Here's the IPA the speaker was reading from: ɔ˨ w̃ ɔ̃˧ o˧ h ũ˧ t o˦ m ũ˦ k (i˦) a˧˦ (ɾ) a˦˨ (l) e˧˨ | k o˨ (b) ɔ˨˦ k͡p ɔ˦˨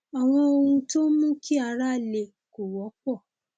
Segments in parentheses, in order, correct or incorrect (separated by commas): correct, correct, correct, incorrect